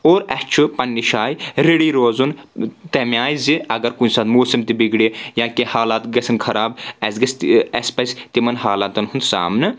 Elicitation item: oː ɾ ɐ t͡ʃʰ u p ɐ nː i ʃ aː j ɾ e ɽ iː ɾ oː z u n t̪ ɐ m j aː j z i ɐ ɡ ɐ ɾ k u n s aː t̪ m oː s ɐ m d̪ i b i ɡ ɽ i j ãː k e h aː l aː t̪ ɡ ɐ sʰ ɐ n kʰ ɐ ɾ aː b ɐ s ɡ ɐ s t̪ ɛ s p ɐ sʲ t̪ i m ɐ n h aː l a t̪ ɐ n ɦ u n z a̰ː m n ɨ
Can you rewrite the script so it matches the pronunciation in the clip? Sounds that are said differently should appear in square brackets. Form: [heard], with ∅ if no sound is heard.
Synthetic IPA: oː ɾ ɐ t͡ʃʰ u p ɐ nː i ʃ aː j ɾ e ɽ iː ɾ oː z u n t̪ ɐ m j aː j z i ɐ ɡ ɐ ɾ k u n s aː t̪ m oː s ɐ m [t̪] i b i ɡ ɽ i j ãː k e h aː l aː t̪ ɡ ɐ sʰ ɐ n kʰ ɐ ɾ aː b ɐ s ɡ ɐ s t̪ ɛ s p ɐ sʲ t̪ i m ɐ n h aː l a t̪ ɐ n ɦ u n [s] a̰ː m n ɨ